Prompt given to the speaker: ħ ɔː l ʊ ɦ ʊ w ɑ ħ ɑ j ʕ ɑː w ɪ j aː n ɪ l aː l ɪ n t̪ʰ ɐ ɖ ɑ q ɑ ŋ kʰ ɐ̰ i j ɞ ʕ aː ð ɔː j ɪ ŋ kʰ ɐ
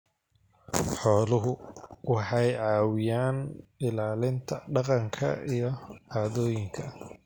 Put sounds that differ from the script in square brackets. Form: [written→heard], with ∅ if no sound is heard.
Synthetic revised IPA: ħ ɔː l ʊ ɦ ʊ w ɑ ħ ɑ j ʕ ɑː w ɪ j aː n ɪ l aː l ɪ n t̪ʰ ɐ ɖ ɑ q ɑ ŋ kʰ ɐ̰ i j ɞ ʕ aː ð ɔː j ɪ ŋ kʰ ɐ